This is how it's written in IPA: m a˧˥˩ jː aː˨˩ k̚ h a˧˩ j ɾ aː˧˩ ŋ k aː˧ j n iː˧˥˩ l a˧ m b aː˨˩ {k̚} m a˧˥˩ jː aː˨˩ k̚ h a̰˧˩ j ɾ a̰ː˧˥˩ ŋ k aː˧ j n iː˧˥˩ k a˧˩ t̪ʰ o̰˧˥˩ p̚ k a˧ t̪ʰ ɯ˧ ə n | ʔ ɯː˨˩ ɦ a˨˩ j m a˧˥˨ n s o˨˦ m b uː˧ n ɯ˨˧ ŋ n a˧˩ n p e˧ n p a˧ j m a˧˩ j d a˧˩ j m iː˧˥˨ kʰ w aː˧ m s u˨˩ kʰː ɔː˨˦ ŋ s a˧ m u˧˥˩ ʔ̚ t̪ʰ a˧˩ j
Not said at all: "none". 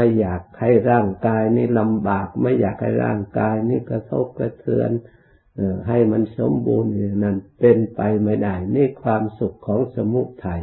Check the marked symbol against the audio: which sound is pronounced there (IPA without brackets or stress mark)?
k̚